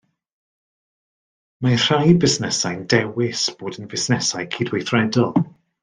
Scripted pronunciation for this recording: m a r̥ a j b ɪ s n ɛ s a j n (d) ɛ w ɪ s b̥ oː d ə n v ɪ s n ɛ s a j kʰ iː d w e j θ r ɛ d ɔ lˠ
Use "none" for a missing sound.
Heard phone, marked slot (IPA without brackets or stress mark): d